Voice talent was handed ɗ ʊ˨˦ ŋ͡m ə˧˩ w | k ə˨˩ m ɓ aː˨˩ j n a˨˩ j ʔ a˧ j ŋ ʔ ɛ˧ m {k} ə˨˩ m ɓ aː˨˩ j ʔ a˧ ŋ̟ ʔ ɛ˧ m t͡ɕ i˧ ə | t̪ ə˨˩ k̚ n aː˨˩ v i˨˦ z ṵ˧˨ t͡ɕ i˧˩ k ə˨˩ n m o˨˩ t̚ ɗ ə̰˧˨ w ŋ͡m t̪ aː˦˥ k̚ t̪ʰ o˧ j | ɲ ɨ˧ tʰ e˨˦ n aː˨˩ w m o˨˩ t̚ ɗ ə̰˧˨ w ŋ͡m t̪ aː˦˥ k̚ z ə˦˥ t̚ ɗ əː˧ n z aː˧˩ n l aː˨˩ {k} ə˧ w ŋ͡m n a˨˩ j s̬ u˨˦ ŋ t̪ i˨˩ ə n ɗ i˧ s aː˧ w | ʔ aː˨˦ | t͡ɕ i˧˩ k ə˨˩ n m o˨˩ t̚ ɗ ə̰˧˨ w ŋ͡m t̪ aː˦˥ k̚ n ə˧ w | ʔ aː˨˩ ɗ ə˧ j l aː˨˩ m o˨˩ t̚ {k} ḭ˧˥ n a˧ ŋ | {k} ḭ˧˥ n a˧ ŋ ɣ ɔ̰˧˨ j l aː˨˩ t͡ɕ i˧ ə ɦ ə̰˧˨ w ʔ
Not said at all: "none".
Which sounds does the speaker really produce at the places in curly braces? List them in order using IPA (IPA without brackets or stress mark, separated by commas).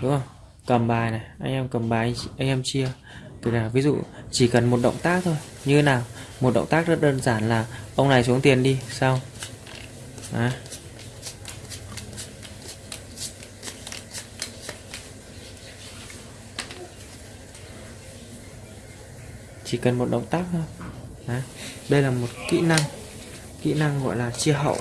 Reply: k, ʔ, k, k